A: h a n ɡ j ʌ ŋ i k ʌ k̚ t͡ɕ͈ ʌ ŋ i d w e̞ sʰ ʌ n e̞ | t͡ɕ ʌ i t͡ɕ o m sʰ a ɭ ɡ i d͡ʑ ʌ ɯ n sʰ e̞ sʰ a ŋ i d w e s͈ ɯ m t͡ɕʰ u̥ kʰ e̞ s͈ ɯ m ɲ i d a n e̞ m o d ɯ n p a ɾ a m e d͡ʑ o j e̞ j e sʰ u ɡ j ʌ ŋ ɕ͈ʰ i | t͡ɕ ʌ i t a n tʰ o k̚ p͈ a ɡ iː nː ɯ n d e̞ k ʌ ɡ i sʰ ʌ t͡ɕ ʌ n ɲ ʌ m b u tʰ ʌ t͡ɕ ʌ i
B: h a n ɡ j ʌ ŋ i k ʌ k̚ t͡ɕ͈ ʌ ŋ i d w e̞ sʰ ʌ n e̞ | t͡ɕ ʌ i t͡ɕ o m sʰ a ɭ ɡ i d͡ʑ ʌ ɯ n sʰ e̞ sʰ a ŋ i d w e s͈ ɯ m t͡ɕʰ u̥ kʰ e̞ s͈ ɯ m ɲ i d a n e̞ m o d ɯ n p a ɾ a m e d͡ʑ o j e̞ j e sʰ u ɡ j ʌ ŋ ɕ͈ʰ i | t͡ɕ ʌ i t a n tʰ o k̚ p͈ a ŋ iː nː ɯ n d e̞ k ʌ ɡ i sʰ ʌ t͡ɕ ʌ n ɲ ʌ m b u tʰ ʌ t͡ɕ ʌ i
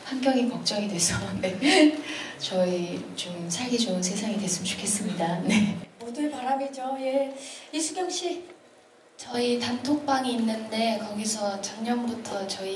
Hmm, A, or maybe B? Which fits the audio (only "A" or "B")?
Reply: B